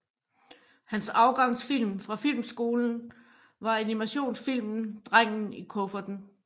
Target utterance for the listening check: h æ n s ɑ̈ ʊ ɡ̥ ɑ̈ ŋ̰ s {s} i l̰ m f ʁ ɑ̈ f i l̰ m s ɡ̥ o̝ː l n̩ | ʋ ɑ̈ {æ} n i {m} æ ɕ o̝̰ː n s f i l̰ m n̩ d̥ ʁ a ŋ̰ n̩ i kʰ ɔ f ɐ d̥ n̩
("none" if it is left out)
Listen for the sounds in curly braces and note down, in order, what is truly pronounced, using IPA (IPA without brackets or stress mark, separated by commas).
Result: f, æ, m